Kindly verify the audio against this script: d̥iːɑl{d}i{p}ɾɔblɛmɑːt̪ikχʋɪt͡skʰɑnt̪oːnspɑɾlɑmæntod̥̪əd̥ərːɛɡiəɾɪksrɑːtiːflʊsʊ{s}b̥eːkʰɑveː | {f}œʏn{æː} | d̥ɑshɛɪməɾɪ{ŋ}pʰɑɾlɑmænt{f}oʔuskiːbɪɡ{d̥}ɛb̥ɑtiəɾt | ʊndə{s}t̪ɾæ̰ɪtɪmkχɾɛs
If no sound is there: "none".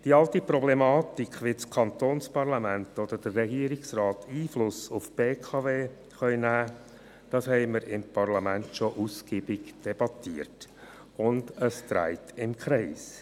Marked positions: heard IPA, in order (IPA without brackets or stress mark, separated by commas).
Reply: t, p, f, χ, æː, m, ʃ, d̥, s